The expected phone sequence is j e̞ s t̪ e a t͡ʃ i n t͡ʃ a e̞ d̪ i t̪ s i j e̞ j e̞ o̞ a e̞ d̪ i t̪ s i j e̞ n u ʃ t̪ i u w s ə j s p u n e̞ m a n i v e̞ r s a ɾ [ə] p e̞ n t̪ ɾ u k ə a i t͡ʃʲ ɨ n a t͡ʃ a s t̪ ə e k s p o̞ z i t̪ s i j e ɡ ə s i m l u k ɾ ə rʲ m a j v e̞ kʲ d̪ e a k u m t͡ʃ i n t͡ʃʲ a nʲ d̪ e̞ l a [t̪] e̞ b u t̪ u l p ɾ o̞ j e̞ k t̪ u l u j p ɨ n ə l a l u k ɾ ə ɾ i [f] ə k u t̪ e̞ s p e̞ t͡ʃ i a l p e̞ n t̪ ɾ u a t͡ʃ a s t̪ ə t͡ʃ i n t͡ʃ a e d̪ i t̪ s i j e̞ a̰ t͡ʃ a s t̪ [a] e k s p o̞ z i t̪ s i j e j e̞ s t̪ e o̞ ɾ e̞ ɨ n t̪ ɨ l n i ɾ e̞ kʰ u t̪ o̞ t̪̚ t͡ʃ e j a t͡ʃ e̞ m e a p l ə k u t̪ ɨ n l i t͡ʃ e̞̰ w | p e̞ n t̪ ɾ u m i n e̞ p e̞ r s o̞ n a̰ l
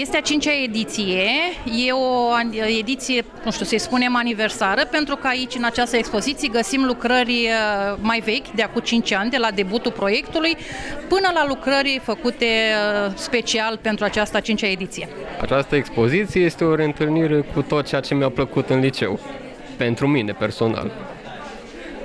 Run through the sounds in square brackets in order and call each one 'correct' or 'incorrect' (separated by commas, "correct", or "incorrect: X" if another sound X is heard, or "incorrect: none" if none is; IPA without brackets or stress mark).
correct, incorrect: d̪, correct, incorrect: ə